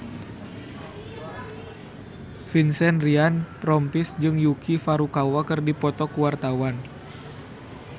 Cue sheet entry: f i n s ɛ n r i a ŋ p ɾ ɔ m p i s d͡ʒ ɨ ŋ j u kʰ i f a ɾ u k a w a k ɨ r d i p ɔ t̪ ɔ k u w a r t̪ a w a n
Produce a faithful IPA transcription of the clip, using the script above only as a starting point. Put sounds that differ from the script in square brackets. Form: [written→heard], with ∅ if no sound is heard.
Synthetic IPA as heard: f i n s ɛ n r i a [ŋ→n] p ɾ ɔ m p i s d͡ʒ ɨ ŋ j u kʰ i f a ɾ u k a w a k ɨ r d i p ɔ t̪ ɔ k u w a r t̪ a w a n